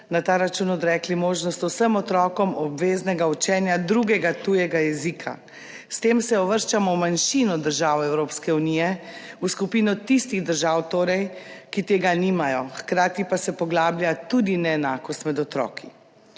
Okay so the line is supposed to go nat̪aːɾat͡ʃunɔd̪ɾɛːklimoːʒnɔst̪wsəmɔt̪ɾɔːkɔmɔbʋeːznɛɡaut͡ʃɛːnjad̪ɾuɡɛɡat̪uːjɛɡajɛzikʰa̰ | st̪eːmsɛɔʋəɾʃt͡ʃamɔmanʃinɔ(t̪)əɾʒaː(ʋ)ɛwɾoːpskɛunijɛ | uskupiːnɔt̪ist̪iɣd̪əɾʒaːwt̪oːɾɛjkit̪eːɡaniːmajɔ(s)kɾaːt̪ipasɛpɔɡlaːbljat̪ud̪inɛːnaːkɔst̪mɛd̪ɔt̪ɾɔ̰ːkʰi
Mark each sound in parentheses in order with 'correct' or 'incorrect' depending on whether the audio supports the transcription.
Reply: incorrect, incorrect, incorrect

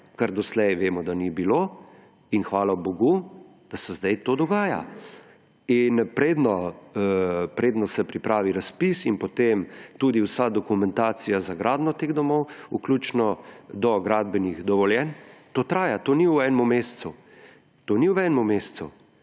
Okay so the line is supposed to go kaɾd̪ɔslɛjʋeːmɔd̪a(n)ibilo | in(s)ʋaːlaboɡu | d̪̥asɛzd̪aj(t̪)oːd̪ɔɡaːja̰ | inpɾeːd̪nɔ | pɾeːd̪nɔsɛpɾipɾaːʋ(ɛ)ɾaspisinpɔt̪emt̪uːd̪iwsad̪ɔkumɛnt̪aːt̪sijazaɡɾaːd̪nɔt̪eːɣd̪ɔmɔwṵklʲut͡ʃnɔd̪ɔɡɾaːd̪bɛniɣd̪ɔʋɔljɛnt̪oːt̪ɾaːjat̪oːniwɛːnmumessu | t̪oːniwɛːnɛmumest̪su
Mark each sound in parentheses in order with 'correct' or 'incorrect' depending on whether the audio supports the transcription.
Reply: correct, incorrect, correct, incorrect

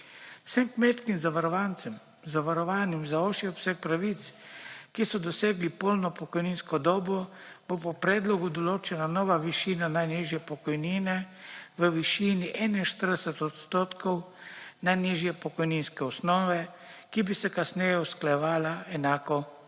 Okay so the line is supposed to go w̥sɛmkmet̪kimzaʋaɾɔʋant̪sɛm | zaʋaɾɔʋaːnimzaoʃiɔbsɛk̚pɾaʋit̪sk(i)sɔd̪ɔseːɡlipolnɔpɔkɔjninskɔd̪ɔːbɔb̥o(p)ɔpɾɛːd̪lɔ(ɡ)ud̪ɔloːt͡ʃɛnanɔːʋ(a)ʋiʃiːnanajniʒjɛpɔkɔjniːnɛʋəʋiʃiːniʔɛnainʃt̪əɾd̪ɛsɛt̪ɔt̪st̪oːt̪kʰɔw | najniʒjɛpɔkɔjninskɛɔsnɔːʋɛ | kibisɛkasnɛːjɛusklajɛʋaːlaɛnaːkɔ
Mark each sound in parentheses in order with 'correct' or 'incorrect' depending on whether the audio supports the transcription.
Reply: correct, correct, correct, correct

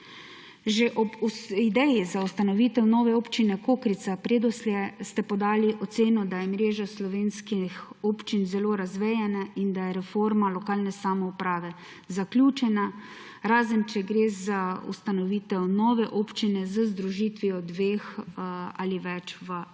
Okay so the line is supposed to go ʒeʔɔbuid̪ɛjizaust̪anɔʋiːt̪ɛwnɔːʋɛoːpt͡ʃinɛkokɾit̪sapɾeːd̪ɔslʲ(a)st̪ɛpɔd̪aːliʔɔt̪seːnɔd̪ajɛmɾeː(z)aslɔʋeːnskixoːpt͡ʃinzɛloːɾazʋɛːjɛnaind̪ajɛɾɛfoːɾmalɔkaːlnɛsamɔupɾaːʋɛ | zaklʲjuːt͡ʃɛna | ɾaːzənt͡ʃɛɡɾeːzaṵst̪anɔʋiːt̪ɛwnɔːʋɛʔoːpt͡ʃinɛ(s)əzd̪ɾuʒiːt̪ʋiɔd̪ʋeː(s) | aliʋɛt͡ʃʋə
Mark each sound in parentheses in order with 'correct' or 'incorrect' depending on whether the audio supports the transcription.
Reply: incorrect, incorrect, incorrect, incorrect

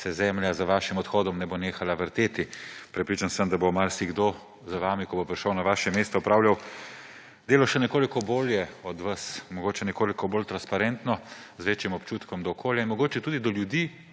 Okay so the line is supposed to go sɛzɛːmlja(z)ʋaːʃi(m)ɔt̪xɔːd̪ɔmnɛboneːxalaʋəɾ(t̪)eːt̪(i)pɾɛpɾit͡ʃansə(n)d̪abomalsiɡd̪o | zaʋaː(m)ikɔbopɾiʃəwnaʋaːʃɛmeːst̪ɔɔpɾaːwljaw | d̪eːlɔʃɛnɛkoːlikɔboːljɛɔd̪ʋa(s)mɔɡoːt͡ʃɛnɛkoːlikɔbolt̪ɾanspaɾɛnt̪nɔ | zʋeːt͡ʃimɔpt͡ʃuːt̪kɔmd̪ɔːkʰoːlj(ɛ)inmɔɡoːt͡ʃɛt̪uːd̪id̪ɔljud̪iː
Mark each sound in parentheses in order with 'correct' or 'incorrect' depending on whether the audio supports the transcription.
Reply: correct, correct, correct, correct, incorrect, correct, correct, incorrect

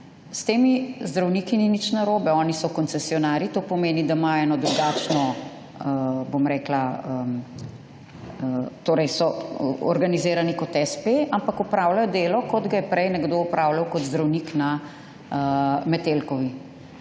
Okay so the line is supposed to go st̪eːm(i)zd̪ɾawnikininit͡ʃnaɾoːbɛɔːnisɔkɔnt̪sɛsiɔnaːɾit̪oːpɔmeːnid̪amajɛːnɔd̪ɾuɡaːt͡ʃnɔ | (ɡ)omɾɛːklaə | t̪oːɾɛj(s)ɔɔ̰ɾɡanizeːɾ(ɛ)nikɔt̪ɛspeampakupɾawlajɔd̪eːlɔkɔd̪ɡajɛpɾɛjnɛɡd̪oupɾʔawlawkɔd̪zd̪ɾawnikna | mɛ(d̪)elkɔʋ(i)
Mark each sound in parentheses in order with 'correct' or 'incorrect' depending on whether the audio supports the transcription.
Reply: correct, incorrect, correct, incorrect, incorrect, correct

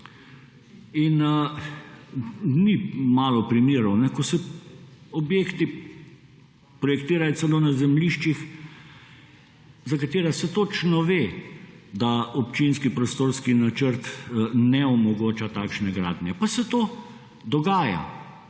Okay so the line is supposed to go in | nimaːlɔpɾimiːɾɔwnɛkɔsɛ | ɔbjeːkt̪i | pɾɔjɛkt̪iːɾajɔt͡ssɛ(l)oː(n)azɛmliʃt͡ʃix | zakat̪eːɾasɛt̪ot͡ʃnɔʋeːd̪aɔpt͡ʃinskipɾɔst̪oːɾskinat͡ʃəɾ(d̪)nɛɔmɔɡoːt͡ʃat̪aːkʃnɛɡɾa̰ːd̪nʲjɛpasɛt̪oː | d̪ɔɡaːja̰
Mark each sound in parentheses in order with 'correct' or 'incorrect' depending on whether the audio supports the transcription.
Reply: correct, correct, incorrect

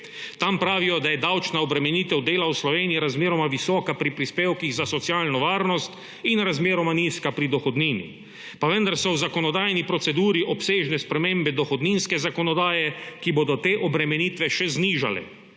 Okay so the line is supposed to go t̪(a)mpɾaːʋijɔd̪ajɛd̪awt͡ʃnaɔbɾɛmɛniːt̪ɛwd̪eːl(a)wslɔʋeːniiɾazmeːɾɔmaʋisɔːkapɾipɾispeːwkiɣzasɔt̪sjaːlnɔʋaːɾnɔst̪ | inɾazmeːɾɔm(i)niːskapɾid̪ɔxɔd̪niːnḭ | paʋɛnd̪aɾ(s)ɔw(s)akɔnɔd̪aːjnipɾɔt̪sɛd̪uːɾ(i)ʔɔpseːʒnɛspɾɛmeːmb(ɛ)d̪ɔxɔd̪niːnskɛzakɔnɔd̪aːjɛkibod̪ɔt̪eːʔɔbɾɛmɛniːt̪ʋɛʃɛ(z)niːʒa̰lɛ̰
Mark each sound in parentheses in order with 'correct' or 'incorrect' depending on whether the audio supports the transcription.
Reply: correct, correct, incorrect, correct, incorrect, correct, correct, correct

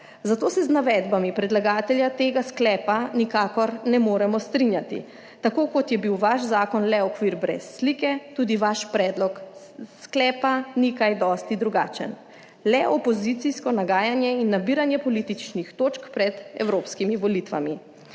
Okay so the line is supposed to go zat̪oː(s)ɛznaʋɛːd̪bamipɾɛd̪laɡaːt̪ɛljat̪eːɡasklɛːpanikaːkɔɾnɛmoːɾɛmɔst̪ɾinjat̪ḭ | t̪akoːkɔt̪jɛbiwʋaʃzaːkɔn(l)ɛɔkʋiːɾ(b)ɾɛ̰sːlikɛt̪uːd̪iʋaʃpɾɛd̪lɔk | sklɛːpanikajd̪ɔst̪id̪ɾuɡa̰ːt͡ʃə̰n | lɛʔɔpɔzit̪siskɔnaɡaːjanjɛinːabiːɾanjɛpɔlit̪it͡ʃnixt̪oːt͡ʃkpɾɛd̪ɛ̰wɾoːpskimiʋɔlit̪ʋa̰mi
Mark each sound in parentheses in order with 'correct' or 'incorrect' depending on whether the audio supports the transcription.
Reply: correct, correct, correct

